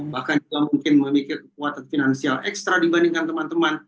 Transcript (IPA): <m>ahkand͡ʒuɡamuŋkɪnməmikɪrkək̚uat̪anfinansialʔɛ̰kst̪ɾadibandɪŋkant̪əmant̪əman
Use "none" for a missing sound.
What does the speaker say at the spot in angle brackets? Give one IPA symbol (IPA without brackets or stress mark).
b